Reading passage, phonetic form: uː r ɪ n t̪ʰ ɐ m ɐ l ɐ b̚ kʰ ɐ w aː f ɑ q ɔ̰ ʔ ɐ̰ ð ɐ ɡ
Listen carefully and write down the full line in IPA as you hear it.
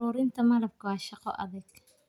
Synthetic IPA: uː ɾ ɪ n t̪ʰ ɐ m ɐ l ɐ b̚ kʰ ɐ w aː ʃ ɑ q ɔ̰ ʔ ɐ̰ ð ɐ ɡ